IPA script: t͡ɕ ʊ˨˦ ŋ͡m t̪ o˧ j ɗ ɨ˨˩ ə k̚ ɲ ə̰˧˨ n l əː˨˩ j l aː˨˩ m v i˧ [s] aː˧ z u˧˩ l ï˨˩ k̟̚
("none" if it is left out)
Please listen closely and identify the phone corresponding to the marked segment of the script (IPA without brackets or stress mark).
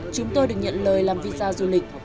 z